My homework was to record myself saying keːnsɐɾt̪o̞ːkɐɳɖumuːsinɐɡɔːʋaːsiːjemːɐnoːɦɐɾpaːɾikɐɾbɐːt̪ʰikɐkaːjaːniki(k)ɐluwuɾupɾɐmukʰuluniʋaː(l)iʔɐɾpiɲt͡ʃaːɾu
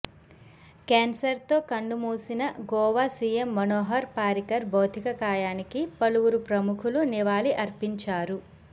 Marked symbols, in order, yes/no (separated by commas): no, yes